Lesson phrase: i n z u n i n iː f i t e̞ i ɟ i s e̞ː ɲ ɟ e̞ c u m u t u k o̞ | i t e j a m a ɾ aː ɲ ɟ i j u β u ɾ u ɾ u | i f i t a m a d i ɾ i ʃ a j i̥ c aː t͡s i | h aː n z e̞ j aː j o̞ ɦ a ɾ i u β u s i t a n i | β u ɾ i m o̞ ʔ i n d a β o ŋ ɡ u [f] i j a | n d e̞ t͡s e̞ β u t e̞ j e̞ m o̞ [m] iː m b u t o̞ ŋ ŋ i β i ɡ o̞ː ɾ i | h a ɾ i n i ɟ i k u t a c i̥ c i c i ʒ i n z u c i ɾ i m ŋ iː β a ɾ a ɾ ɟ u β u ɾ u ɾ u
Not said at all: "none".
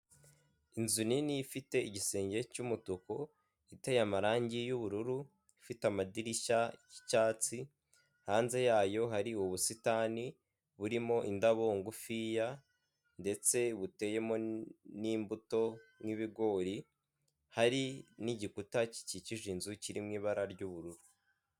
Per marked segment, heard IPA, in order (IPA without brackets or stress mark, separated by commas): f, n